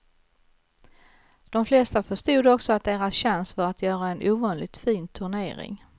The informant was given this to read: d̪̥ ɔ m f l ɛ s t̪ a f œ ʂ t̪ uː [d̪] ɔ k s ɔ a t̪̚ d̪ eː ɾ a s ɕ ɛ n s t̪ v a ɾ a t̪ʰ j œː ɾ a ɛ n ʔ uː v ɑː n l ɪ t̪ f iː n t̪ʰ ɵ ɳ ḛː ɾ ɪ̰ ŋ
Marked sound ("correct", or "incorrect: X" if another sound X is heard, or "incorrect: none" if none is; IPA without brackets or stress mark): correct